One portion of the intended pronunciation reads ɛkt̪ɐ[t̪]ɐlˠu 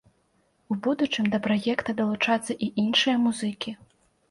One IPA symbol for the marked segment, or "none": d̪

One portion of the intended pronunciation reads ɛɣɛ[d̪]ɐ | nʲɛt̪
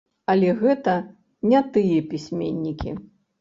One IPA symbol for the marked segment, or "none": t̪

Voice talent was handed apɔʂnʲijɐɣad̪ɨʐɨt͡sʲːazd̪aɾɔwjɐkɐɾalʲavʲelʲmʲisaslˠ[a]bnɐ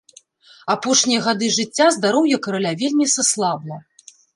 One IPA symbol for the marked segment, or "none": a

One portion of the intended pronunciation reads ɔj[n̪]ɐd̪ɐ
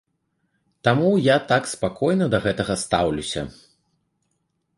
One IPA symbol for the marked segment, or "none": n̪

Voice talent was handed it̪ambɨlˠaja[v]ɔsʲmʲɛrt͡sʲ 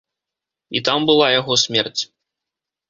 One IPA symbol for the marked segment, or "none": ɣ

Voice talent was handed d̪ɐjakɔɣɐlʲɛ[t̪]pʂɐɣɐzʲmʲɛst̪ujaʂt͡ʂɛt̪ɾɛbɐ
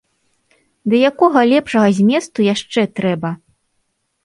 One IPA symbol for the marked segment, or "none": none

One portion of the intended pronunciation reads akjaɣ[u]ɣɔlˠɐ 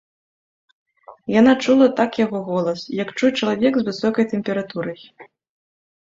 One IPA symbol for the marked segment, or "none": ɔ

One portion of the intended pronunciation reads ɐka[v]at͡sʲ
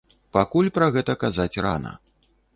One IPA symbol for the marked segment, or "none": z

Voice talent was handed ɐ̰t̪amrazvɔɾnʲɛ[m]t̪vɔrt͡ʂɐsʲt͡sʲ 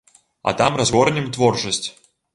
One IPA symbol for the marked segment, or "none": m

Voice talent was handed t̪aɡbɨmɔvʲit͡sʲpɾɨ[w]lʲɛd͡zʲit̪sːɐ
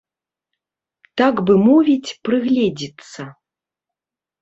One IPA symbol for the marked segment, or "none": ɣ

